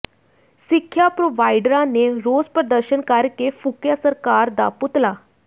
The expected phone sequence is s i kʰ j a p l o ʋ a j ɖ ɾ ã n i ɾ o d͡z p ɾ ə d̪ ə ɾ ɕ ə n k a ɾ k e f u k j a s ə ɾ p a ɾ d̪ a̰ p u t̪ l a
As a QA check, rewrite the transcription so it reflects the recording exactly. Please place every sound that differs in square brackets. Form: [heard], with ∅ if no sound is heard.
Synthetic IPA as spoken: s i kʰ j a p [ɾ] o ʋ a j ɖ ɾ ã n [e] ɾ o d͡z p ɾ ə d̪ ə ɾ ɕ ə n k a ɾ k e f u k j a s ə ɾ [k] a ɾ d̪ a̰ p u t̪ l a